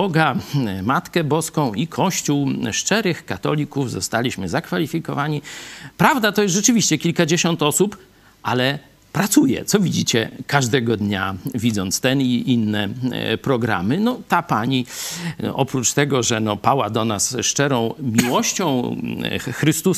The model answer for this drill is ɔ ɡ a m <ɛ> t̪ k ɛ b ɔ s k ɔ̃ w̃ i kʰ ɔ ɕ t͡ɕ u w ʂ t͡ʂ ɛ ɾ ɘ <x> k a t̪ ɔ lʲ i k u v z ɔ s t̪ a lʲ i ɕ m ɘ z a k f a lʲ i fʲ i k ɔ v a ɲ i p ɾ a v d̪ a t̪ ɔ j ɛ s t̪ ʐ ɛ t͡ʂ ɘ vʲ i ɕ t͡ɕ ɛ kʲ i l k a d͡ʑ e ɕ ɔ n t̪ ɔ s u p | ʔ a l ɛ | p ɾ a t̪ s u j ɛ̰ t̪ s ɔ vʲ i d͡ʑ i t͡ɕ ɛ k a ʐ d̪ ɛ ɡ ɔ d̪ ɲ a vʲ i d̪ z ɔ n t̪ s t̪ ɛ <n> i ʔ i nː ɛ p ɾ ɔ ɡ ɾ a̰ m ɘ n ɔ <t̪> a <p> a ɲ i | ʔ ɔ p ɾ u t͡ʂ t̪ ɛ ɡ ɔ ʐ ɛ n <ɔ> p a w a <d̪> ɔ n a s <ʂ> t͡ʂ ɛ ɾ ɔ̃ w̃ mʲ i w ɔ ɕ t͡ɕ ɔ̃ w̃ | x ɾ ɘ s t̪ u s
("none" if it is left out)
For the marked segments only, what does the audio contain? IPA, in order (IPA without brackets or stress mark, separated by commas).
a, x, n, t̪, p, ɔ, d̪, ʂ